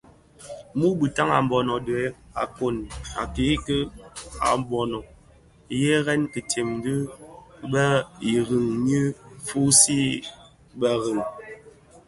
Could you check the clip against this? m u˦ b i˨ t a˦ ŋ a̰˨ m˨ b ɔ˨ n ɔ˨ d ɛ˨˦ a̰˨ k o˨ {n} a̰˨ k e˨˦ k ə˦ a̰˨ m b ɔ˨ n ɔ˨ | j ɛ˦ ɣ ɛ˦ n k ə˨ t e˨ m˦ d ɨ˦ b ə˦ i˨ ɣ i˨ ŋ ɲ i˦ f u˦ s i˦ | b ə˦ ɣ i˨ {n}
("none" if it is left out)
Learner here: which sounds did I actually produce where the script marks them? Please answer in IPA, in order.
n, ŋ

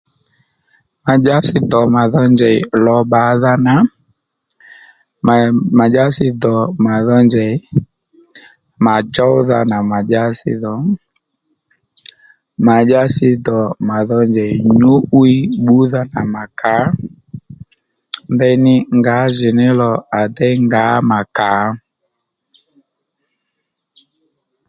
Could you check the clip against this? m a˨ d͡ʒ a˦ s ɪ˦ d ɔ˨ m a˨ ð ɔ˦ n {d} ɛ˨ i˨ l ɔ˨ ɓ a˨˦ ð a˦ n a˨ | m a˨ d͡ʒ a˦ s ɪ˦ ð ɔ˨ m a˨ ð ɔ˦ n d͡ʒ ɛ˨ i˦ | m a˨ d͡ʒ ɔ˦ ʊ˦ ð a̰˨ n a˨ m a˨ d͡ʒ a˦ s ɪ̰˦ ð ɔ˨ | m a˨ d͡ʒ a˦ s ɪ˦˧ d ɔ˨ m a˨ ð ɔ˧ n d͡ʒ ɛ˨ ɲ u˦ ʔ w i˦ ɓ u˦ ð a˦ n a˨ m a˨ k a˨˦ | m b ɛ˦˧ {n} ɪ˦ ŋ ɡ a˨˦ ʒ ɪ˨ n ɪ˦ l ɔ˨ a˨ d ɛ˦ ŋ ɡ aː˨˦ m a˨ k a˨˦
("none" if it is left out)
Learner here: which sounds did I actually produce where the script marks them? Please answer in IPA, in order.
d͡ʒ, n

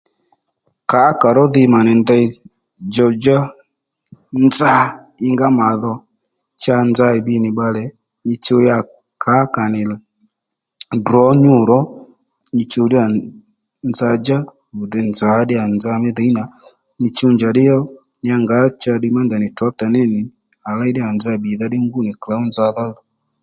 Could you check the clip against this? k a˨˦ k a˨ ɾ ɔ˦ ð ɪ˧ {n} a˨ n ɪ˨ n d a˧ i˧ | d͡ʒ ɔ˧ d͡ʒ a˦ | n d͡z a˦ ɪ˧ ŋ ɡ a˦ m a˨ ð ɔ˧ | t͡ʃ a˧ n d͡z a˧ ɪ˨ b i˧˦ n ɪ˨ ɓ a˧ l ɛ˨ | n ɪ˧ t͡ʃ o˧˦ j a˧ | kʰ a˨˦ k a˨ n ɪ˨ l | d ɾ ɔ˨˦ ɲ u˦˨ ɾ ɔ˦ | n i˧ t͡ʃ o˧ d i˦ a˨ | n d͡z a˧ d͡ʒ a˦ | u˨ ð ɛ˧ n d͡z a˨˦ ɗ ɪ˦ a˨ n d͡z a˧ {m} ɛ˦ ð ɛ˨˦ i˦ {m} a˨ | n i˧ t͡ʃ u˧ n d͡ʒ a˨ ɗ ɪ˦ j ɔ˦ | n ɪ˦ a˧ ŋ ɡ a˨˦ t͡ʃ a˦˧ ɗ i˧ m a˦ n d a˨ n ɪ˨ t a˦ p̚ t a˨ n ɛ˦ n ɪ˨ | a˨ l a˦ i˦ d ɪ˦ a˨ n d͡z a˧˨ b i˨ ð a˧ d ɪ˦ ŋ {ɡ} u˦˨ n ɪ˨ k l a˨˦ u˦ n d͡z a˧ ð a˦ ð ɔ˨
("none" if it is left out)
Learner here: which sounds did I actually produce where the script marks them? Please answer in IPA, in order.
m, m, n, ɡ

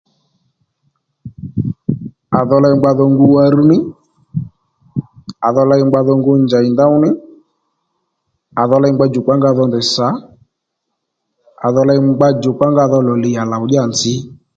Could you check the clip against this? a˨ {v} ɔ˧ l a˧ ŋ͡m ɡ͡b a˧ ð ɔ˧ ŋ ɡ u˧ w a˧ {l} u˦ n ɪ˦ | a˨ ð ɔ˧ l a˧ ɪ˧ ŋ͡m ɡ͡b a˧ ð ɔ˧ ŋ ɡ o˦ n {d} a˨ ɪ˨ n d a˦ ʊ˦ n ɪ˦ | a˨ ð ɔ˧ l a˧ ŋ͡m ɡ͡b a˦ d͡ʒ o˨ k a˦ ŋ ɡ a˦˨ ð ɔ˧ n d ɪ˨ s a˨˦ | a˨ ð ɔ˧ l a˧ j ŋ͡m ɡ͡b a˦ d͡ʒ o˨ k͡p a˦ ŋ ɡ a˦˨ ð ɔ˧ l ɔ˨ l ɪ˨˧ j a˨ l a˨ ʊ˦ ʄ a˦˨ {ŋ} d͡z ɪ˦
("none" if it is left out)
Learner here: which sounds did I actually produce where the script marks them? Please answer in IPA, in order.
ð, ɾ, d͡ʒ, n

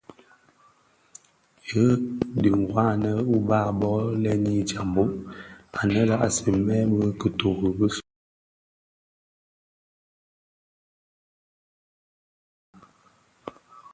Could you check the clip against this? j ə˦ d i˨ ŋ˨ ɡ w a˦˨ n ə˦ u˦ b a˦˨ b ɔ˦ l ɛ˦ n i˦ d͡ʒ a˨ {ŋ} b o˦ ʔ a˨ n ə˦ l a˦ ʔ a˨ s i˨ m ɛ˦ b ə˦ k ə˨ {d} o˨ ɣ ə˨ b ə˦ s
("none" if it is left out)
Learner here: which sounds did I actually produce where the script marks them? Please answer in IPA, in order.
m, t

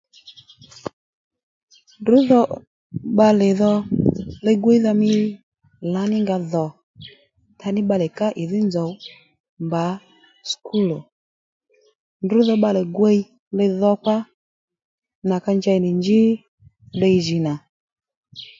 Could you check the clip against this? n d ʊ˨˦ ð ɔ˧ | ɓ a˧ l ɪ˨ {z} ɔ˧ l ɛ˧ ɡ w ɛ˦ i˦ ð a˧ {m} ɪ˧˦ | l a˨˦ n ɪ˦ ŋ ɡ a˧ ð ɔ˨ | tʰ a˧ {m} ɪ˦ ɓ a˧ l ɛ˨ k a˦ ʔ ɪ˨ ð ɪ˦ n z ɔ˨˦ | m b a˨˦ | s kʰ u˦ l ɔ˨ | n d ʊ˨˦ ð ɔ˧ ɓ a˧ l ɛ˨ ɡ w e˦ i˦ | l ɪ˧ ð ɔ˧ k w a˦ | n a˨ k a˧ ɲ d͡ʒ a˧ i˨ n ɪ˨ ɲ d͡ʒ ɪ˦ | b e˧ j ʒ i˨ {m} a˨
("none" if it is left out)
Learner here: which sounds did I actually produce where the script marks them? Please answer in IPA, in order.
ð, m, n, n

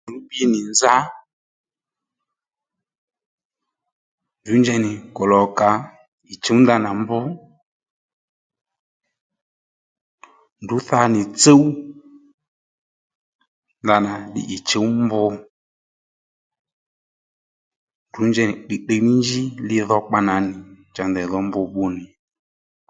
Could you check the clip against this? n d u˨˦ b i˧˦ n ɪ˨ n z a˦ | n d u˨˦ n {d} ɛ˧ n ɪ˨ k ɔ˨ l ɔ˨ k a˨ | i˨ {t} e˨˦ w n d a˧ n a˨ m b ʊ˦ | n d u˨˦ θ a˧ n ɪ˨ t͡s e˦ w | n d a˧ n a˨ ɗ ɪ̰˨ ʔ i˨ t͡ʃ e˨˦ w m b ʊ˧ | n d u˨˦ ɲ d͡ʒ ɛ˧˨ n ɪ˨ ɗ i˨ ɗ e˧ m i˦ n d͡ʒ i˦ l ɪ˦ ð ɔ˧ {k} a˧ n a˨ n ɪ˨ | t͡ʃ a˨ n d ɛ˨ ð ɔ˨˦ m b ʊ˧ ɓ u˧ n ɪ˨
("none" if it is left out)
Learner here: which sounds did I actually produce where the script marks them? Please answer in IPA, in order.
d͡ʒ, t͡ʃ, k͡p

